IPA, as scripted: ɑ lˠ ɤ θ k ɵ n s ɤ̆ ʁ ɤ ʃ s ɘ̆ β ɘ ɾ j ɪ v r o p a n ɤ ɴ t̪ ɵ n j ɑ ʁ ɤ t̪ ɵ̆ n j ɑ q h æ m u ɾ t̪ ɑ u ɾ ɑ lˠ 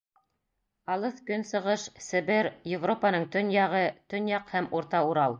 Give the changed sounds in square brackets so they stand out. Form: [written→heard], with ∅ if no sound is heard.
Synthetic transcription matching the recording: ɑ lˠ ɤ θ k ɵ n s ɤ̆ ʁ ɤ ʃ s ɘ̆ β ɘ ɾ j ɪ v r o p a n ɤ ɴ t̪ ɵ n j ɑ ʁ ɤ t̪ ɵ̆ n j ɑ q h æ m u ɾ t̪ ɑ u ɾ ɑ lˠ